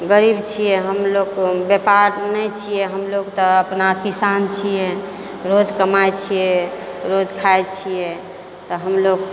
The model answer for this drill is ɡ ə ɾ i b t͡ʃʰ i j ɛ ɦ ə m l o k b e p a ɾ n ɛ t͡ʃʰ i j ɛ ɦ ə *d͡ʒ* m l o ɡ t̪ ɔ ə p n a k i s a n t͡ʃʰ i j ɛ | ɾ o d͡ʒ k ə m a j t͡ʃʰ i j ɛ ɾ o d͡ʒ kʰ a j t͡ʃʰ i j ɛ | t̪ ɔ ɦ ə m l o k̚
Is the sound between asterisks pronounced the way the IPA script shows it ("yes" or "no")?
no